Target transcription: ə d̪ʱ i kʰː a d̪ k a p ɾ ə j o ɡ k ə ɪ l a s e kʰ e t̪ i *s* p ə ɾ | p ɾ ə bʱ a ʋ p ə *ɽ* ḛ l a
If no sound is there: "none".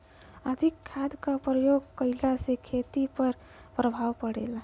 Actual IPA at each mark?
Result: none, ɽ

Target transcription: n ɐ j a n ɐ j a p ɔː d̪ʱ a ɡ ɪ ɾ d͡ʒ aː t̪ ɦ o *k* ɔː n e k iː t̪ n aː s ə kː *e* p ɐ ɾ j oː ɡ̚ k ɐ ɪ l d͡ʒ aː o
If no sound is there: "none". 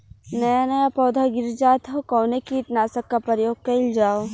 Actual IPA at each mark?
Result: k, a

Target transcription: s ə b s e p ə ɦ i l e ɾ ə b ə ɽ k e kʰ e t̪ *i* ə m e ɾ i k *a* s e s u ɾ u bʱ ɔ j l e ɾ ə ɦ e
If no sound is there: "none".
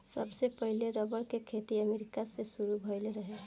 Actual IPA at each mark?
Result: i, a

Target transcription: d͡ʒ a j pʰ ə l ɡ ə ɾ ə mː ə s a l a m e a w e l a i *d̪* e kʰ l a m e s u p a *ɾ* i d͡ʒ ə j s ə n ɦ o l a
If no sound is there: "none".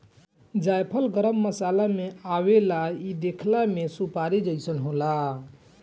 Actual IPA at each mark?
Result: d̪, ɾ

